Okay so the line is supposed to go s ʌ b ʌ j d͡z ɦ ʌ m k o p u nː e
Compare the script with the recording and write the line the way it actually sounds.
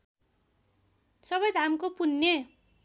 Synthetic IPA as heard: s ʌ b ʌ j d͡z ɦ a m k o p u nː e

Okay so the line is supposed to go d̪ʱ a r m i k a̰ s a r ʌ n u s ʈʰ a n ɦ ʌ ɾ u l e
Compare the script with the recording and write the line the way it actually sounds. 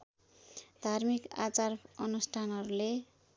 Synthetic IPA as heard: d̪ʱ a r m i k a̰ t͡s a r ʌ n u s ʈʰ a n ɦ ʌ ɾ u l e

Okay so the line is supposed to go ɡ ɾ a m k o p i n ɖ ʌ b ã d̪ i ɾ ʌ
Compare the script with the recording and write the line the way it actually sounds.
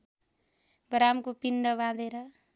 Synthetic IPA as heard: ɡ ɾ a m k o p i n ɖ ʌ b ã d̪ e ɾ ʌ

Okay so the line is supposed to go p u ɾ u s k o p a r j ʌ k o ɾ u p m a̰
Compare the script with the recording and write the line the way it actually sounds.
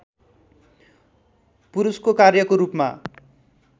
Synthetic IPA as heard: p u ɾ u s k o k a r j ʌ k o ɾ u p m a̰

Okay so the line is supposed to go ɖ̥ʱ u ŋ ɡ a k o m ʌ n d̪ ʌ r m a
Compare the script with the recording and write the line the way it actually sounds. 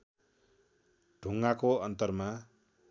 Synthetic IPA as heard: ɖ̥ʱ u ŋ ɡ a k o ʌ n t̪ ʌ r m a

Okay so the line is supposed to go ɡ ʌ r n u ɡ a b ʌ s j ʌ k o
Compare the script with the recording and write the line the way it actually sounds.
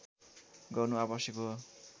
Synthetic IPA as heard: ɡ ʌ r n u a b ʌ s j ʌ k o

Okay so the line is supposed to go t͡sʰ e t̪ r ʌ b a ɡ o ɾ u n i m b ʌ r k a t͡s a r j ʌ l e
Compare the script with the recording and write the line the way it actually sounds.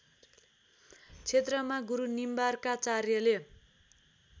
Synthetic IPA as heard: t͡sʰ e t̪ r ʌ m a ɡ u ɾ u n i m b a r k a t͡s a r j ʌ l e

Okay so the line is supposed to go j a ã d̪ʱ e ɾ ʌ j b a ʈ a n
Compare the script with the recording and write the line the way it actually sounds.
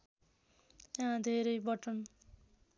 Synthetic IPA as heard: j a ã d̪ʱ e ɾ ʌ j b ʌ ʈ ʌ n

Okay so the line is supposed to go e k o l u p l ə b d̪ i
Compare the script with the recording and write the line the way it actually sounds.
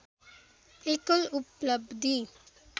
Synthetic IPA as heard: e k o l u p l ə b d̪ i

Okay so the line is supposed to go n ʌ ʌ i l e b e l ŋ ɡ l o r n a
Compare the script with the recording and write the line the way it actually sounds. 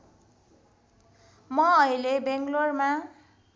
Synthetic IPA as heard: m ʌ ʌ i l e b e ŋ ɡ l o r m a

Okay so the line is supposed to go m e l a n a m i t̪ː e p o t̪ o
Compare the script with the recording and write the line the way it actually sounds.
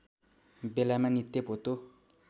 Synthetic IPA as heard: b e l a m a n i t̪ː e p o t̪ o

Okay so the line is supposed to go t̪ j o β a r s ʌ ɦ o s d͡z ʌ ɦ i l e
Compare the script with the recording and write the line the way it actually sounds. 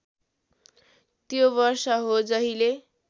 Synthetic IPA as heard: t̪ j o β ʌ r s ʌ ɦ o d͡z ʌ ɦ i l e

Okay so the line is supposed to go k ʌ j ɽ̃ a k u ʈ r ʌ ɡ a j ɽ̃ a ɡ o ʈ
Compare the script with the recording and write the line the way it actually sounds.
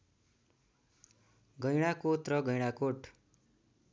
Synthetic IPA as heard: ɡ ʌ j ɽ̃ a k o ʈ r ʌ ɡ ʌ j ɽ̃ a k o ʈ

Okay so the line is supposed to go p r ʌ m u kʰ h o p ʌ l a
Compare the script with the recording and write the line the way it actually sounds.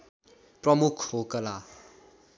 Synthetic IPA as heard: p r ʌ m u kʰ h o k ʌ l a

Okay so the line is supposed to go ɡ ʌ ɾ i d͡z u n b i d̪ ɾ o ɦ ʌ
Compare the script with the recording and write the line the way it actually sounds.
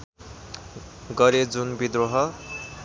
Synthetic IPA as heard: ɡ ʌ ɾ e d͡z u n b i d̪ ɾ o ɦ ʌ

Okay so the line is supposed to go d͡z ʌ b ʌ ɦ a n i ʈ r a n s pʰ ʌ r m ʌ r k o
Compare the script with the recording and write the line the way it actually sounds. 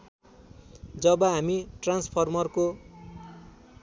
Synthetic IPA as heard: d͡z ʌ b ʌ ɦ a m i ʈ r a n s pʰ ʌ r m ʌ r k o

